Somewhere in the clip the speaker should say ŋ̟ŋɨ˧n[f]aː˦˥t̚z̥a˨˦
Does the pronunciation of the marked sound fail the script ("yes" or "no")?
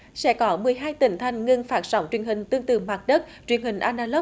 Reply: no